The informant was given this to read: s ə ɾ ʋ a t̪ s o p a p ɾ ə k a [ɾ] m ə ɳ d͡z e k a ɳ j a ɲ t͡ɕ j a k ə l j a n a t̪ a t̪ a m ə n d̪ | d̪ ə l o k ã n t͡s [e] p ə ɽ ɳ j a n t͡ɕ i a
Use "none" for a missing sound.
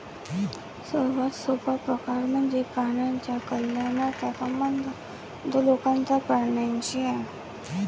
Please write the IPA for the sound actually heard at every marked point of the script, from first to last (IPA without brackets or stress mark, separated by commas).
ɾ, a